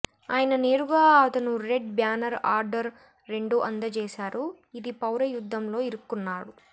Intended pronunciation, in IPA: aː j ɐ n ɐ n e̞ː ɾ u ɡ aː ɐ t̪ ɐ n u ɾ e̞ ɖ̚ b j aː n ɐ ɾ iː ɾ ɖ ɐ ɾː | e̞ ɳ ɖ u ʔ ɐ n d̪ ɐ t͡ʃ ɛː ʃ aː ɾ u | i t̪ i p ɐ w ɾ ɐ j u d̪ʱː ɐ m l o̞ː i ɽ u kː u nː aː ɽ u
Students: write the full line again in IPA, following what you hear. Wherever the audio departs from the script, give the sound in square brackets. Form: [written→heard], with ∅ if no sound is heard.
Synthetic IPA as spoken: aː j ɐ n ɐ n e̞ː ɾ u ɡ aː ɐ t̪ ɐ n u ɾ e̞ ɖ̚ b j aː n ɐ ɾ [iː→aː] ɾ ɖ ɐ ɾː | e̞ ɳ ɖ u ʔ ɐ n d̪ ɐ t͡ʃ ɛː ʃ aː ɾ u | i [t̪→d̪] i p ɐ w ɾ ɐ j u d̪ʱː ɐ m l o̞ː i [ɽ→ɾ] u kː u nː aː ɽ u